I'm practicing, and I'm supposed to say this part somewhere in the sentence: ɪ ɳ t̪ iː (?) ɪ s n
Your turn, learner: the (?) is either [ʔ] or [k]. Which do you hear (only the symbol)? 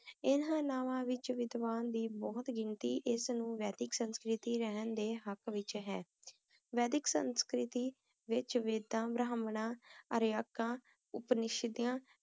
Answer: ʔ